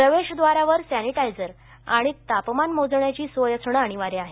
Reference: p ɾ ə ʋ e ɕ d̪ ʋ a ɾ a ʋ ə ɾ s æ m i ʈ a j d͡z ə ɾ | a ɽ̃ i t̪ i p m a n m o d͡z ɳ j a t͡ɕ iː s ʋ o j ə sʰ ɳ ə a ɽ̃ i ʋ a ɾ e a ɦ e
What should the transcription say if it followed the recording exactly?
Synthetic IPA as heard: p ɾ ə ʋ e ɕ d̪ ʋ a ɾ a ʋ ə ɾ s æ n i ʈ a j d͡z ə ɾ | a ɽ̃ i t̪ a p m a n m o d͡z ɳ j a t͡ɕ iː s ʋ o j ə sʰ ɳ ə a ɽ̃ i ʋ a ɾ e a ɦ e

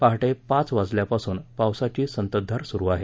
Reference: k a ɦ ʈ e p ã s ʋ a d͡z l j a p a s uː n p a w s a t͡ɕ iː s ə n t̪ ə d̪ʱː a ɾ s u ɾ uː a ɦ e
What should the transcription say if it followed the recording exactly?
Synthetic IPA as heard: p a ɦ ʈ e p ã t͡s ʋ a d͡z l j a p a s uː n p a w s a t͡ɕ iː s ə n t̪ ə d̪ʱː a ɾ s u ɾ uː a ɦ e

